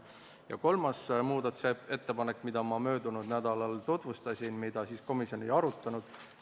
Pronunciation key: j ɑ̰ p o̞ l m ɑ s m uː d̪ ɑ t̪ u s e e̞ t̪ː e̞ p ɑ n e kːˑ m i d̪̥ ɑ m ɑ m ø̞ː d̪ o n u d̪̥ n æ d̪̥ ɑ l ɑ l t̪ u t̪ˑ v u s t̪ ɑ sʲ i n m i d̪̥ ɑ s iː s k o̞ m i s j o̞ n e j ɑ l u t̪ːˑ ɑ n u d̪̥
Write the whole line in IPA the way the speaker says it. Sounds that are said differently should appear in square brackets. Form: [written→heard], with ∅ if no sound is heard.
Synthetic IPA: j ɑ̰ [p→k] o̞ l m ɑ s m uː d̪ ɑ t̪ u s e e̞ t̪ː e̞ p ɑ n e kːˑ m i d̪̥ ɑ m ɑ m ø̞ː d̪ [o→u] n u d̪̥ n æ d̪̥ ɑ l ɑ l t̪ u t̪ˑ v u s t̪ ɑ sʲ i n m i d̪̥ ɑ s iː s k o̞ m i s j o̞ n e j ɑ [l→ɾ] u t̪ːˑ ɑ n u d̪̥